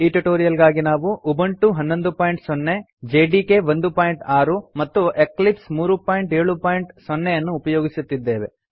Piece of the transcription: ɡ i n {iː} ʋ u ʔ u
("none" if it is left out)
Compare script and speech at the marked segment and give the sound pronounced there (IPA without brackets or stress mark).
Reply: aː